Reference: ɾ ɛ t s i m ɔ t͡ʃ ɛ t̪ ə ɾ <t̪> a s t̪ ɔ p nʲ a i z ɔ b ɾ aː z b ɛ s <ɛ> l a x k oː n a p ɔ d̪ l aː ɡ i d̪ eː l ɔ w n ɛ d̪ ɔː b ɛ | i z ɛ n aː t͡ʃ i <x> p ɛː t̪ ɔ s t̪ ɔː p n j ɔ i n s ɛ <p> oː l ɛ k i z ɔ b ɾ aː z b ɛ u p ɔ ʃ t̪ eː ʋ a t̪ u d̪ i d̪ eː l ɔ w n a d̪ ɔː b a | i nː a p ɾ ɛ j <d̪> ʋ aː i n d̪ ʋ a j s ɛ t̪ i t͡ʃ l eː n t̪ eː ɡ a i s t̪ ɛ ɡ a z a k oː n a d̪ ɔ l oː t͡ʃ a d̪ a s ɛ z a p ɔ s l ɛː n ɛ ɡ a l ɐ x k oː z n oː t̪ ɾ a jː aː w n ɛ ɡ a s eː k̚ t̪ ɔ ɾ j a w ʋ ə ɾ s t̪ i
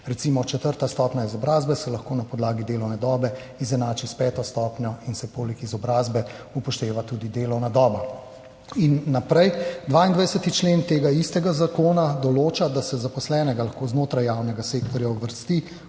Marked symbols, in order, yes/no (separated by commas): yes, yes, no, yes, yes